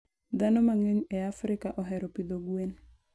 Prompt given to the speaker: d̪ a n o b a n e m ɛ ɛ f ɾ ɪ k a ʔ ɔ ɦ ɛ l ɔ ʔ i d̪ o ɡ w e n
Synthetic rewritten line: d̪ a n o m a ŋ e ɲ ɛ a f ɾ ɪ k a ʔ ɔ ɦ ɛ ɾ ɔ p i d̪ o ɡ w e n